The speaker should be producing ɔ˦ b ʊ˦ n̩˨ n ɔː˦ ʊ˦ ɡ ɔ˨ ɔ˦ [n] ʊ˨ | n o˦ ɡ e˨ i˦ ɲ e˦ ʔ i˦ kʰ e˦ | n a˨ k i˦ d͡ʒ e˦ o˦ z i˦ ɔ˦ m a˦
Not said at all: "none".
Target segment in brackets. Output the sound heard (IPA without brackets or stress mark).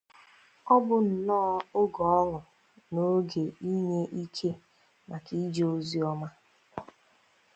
ŋ